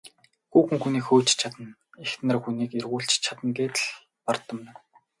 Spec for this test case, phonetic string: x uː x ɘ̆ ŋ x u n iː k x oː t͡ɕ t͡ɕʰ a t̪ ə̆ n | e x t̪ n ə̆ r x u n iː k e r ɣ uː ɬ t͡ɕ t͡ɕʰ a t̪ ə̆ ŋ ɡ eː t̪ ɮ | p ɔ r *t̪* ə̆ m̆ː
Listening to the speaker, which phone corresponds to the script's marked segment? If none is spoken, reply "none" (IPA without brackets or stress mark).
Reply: t̪